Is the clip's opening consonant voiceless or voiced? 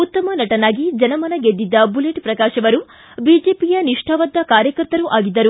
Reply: voiceless